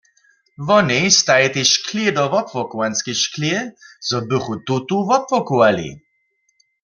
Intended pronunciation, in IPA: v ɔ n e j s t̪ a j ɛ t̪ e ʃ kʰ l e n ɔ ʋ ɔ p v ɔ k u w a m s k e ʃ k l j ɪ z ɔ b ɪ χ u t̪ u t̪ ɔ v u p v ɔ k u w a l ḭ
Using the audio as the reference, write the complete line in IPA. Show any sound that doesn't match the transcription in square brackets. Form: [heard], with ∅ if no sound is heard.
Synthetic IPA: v ɔ n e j s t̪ a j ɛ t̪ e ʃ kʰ l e [d] ɔ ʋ ɔ p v ɔ k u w a [n] s k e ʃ k l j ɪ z ɔ b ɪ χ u t̪ u t̪ [u] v [ɔ] p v ɔ k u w a l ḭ